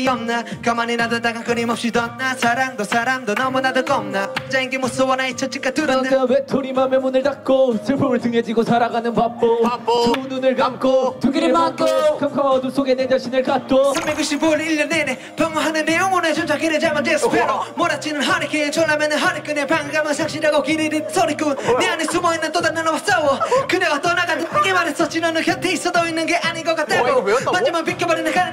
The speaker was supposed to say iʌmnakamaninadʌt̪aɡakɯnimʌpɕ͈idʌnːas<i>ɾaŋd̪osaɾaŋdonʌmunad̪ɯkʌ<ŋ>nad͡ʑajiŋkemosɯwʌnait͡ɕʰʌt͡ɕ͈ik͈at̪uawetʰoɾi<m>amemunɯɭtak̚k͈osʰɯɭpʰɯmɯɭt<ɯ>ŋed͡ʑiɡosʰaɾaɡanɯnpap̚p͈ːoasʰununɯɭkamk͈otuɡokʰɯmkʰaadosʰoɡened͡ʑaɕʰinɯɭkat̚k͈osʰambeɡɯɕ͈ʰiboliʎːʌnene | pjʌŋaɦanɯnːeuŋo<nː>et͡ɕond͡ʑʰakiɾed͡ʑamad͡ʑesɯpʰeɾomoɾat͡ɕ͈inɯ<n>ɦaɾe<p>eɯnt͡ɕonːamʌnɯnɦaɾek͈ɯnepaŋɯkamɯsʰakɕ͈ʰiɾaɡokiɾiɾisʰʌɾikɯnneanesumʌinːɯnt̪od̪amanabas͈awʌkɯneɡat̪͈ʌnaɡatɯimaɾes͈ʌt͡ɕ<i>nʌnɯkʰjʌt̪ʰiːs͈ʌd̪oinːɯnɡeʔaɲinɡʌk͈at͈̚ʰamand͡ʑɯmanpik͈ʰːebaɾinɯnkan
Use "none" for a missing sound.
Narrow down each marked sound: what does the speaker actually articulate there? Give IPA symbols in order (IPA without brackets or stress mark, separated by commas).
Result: a, m, m, ɯ, n, n, k, i